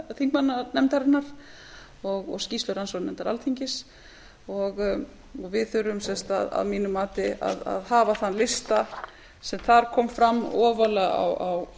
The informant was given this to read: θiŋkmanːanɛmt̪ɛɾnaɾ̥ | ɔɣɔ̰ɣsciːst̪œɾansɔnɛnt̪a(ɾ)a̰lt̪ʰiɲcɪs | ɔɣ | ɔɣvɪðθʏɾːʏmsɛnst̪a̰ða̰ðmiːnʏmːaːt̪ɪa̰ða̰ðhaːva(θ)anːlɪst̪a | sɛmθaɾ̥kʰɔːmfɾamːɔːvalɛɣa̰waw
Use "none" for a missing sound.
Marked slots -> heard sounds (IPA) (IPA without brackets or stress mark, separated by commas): ɾ, θ